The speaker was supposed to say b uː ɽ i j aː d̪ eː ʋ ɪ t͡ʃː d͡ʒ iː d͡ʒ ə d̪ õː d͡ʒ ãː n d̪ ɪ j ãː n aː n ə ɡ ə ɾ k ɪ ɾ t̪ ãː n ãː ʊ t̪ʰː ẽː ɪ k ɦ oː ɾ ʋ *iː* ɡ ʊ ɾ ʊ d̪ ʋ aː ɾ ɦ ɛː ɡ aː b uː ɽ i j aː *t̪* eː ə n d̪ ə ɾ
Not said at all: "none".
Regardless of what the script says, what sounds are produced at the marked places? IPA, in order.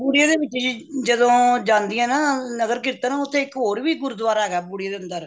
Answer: iː, d̪

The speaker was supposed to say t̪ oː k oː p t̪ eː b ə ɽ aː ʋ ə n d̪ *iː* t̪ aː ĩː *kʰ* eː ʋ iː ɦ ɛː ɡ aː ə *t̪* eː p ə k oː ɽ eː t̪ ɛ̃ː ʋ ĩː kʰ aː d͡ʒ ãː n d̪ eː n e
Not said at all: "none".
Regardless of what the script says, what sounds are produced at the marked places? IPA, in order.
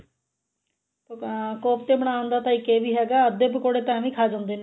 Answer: aː, k, d̪

